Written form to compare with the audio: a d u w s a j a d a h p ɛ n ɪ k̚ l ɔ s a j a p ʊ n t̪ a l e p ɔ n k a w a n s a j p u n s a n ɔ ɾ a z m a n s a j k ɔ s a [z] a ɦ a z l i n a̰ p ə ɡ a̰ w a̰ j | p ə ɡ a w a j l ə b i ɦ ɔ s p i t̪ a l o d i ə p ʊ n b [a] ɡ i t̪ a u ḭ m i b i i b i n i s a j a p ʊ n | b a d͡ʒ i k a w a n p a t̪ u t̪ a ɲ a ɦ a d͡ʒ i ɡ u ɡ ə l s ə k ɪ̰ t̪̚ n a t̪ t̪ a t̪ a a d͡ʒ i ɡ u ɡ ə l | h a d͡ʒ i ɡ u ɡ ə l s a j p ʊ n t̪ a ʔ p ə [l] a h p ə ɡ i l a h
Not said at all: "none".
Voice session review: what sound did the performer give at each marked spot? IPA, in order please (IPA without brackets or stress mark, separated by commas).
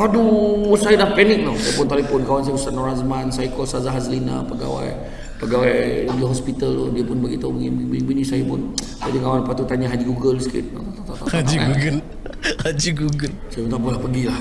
z, a, l